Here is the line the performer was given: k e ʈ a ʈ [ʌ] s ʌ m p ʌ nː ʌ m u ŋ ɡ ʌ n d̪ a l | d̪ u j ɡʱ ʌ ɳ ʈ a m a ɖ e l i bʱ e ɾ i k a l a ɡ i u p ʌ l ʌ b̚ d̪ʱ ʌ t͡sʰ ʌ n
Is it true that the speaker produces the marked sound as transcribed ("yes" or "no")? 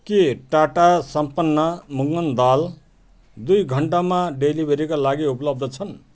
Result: no